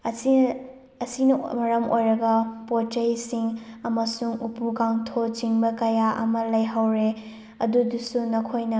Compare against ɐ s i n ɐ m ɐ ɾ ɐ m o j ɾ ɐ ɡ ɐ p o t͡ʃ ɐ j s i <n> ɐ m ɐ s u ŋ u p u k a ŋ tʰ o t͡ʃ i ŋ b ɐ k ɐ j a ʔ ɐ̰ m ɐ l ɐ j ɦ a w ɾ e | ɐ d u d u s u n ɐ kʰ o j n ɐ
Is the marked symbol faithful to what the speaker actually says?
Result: no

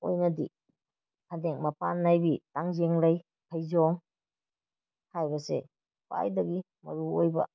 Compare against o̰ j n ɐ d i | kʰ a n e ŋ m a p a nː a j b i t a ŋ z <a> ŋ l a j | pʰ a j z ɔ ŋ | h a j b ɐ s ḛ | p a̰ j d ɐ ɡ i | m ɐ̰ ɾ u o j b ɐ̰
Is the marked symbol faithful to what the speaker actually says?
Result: no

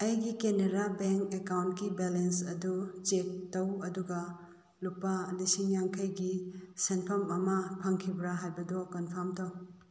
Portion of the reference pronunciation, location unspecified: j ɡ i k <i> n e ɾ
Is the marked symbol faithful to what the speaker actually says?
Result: no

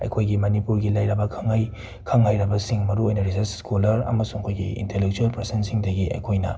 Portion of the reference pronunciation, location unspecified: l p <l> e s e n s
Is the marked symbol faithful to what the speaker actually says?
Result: no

